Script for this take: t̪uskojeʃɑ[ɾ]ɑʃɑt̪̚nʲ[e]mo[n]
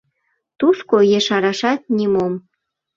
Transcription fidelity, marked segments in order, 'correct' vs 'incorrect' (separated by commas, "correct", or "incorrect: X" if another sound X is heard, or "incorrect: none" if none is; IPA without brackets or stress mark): correct, incorrect: i, incorrect: m